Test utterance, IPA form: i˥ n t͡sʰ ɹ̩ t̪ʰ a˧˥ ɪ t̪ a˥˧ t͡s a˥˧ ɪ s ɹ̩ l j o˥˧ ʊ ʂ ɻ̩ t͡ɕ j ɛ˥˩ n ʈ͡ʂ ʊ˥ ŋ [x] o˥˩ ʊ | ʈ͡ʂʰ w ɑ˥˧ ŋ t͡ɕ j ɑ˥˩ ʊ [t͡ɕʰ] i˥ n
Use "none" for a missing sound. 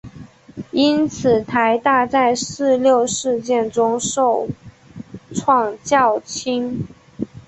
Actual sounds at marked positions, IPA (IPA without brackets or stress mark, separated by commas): ʂ, t͡ɕʰ